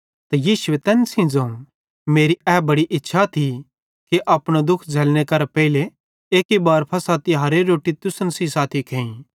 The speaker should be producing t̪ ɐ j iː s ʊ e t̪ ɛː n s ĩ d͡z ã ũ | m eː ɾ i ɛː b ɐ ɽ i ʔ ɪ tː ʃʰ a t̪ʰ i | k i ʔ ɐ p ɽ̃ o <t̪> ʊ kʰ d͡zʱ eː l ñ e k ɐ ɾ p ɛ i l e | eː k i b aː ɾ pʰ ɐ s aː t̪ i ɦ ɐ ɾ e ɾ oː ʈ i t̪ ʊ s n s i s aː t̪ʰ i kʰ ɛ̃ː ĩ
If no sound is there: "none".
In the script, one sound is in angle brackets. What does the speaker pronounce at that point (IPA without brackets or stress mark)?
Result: d̪